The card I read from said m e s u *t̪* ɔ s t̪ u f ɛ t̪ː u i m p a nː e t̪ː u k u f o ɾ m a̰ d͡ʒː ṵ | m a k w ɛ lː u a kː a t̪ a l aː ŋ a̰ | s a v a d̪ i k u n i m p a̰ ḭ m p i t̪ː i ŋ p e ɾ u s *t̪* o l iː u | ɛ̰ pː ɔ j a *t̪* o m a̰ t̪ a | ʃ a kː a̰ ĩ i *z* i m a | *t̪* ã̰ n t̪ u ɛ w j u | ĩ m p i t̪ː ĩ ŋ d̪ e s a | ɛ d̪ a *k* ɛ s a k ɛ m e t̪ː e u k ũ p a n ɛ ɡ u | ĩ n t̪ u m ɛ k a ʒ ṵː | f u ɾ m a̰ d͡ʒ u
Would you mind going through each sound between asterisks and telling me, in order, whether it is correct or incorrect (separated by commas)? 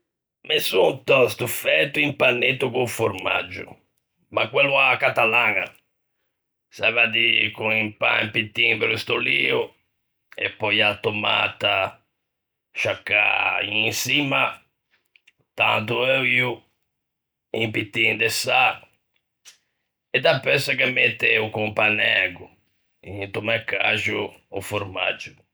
correct, correct, correct, incorrect, correct, incorrect